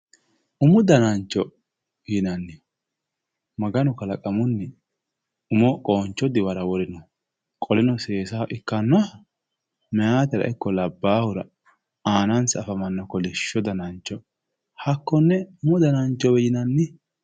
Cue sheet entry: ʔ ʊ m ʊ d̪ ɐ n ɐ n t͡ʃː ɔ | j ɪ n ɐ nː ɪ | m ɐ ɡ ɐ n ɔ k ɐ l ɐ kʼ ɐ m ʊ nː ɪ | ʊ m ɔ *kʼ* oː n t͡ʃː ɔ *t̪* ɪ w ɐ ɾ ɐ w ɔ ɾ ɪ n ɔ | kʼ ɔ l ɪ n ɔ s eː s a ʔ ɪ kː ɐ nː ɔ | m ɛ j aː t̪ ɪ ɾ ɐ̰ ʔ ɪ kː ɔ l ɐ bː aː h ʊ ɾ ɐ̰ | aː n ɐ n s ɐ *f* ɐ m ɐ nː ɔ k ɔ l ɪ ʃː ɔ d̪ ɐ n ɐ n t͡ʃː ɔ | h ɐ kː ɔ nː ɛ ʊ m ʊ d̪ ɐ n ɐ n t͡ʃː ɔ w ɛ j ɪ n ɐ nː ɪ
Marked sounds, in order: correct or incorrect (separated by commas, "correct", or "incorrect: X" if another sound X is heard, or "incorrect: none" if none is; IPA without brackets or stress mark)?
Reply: correct, incorrect: d̪, correct